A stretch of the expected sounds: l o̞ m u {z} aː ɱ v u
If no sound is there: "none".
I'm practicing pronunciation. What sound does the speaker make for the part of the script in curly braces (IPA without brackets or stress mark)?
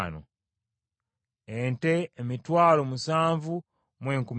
s